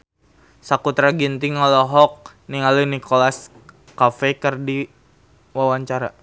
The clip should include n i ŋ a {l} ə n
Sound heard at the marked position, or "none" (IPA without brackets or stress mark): l